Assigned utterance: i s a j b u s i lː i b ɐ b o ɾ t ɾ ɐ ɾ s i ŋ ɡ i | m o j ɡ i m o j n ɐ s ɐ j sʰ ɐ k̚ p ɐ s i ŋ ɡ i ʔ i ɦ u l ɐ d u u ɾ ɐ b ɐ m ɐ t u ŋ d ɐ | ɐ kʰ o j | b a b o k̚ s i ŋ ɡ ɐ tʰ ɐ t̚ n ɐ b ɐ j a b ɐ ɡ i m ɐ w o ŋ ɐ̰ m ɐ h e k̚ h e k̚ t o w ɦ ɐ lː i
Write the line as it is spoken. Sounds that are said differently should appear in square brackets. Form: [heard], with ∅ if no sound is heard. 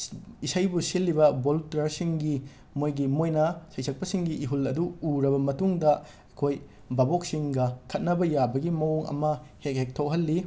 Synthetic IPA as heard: i s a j b u s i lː i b ɐ b o [l] t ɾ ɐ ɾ s i ŋ ɡ i | m o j ɡ i m o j n ɐ s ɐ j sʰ ɐ k̚ p ɐ s i ŋ ɡ i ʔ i ɦ u l ɐ d u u ɾ ɐ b ɐ m ɐ t u ŋ d ɐ | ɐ kʰ o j | b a b o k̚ s i ŋ ɡ ɐ [kʰ] ɐ t̚ n ɐ b ɐ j a b ɐ ɡ i m ɐ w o ŋ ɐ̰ m ɐ h e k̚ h e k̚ [tʰ] o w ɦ ɐ lː i